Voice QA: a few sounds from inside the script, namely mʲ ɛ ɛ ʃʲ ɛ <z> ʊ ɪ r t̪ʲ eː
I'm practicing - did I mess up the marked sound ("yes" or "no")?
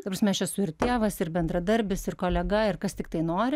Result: yes